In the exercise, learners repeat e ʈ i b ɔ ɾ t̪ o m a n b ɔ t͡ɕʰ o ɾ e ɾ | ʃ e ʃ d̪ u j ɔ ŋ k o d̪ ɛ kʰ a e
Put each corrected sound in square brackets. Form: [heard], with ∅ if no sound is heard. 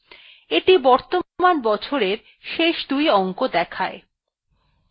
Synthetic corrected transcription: e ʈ i b ɔ ɾ t̪ o m a n b ɔ t͡ɕʰ o ɾ e ɾ | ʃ e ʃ d̪ u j ɔ ŋ k o d̪ ɛ kʰ a e